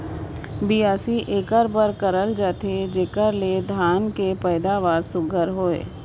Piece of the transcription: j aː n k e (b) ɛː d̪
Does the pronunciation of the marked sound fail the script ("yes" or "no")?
yes